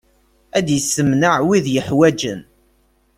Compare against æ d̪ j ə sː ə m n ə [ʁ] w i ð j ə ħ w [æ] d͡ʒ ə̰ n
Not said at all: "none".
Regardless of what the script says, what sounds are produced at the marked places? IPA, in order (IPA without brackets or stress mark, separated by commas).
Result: ʕ, æ